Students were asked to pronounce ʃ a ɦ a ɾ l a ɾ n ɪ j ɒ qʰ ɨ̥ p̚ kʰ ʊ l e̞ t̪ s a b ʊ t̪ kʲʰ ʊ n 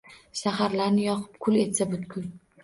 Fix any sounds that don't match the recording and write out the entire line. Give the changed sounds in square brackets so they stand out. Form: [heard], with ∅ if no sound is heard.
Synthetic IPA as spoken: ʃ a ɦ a ɾ l a ɾ n ɪ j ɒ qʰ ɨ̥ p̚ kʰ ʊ l e̞ t̪ s a b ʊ t̪ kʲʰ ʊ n